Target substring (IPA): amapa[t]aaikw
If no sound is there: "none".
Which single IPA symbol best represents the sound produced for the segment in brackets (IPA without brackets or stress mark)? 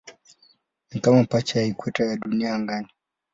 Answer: t͡ʃ